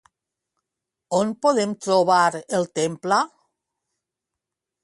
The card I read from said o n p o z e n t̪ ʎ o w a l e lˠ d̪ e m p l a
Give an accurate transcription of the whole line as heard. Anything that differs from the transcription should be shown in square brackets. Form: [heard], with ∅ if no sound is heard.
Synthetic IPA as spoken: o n p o [ð] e [m] t̪ [ɾ] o [β] a [ɾ] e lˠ [t̪] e m p l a